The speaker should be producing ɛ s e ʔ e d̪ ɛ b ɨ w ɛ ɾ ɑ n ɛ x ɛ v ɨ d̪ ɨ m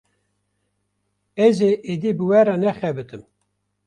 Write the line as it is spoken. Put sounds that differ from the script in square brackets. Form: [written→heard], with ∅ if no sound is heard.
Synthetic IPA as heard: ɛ [s→z] e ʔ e d̪ [ɛ→i] b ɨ w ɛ ɾ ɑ n ɛ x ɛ [v→b] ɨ [d̪→t̪] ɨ m